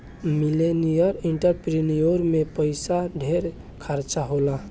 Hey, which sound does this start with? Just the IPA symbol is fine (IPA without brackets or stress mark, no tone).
m